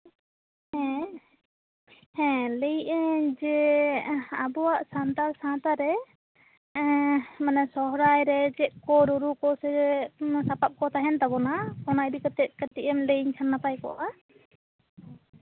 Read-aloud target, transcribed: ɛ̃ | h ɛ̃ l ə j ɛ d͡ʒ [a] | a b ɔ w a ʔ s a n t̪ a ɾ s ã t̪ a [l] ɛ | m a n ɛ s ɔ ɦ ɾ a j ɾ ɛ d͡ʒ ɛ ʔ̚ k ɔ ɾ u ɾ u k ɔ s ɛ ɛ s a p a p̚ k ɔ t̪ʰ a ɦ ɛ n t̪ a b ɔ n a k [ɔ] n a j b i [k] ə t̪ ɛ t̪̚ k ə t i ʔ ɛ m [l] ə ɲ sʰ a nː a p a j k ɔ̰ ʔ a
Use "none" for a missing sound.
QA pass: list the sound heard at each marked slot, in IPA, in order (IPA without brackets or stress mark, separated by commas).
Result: ɛ, ɾ, ɔ, k, l